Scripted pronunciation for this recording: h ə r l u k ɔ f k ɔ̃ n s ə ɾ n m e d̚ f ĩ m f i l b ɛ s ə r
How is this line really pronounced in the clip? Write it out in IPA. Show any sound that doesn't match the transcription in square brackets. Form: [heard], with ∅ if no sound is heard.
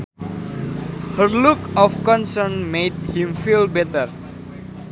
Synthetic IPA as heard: h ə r l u k ɔ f k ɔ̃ n s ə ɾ n m e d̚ [h] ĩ m f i l b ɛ [t] ə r